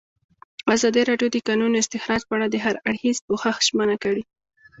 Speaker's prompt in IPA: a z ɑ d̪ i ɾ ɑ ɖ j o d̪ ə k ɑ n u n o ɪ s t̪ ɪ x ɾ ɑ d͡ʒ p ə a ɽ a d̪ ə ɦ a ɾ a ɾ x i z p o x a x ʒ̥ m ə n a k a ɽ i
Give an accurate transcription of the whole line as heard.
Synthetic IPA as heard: a z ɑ d̪ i ɾ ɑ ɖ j o d̪ ə k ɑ n u n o ɪ s t̪ ɪ x ɾ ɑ d͡ʒ p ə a ɽ a d̪ ə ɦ a ɾ a ɽ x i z p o x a x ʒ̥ m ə n a k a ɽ i